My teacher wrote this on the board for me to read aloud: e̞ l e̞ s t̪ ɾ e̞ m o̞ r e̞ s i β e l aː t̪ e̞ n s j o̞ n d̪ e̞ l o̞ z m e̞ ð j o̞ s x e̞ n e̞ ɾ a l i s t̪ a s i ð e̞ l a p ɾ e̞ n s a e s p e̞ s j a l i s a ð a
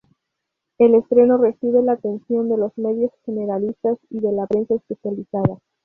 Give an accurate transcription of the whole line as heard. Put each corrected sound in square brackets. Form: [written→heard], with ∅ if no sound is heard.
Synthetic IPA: e̞ l e̞ s t̪ ɾ e̞ [m→n] o̞ r e̞ s i β e l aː t̪ e̞ n s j o̞ n d̪ e̞ l o̞ z m e̞ ð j o̞ s x e̞ n e̞ ɾ a l i s t̪ a s i ð e̞ l a p ɾ e̞ n s a e s p e̞ s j a l i s a ð a